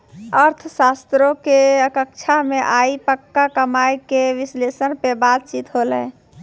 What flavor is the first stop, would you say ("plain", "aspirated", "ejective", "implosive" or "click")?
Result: aspirated